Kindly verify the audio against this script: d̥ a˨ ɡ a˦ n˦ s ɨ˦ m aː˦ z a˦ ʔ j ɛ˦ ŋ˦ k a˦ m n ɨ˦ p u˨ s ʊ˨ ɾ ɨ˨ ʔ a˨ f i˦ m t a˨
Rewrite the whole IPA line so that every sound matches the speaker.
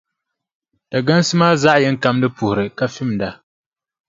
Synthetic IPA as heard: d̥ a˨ ɡ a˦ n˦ s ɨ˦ m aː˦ z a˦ ʔ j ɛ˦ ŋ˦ k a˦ m d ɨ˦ p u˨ h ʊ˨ ɾ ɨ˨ k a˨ f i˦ m d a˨